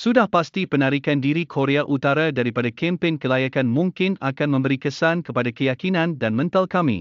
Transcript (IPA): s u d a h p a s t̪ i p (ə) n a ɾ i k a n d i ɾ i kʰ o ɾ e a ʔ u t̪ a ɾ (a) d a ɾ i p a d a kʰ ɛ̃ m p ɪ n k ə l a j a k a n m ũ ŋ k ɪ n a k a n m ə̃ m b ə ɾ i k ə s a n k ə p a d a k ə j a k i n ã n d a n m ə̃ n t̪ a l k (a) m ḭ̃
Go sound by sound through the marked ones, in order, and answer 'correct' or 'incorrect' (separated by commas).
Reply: correct, correct, correct